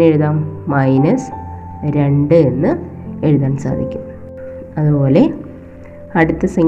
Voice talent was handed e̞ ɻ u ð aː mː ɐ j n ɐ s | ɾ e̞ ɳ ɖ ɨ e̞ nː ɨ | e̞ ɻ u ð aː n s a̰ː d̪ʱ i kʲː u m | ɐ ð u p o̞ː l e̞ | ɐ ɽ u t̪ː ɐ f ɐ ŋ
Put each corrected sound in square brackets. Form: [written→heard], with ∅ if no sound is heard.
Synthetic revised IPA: e̞ ɻ u ð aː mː ɐ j n ɐ s | ɾ e̞ ɳ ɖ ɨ e̞ nː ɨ | e̞ ɻ u ð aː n s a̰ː d̪ʱ i kʲː u m | ɐ ð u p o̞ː l e̞ | ɐ ɽ u t̪ː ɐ [f→s] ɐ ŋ